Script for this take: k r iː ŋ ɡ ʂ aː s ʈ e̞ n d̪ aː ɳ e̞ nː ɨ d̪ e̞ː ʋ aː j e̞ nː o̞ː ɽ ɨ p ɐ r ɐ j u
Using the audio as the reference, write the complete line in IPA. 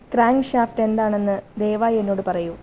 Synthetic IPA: k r aː ŋ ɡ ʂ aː f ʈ e̞ n d̪ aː ɳ e̞ nː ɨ d̪ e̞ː ʋ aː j e̞ nː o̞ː ɽ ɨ p ɐ r ɐ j u